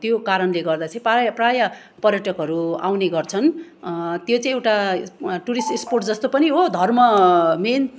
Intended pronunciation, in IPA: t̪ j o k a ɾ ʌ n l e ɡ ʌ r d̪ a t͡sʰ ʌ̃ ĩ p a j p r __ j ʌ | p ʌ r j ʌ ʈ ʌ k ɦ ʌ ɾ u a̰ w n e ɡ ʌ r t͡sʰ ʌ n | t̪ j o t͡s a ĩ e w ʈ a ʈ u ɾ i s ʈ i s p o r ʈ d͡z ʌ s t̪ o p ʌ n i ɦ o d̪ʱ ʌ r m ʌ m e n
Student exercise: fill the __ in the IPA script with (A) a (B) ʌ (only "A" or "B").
A